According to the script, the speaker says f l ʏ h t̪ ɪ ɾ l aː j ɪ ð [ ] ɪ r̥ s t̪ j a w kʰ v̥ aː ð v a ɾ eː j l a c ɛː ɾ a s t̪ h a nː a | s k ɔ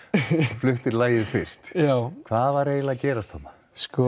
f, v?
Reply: f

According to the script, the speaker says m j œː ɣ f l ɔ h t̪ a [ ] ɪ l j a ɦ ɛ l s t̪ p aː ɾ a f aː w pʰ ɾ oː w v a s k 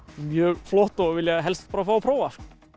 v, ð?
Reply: v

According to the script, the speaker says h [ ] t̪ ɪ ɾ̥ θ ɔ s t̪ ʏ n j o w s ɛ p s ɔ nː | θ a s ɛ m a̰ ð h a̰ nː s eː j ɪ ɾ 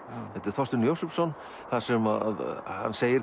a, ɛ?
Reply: ɛ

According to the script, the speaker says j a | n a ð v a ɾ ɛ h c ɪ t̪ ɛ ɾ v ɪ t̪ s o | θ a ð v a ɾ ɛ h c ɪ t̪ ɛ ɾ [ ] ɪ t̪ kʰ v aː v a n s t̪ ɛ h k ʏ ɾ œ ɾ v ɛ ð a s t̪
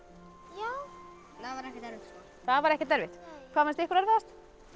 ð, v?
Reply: v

